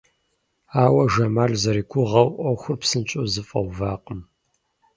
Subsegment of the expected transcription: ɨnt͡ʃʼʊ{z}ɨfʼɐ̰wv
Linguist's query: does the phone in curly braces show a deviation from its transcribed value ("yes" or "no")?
no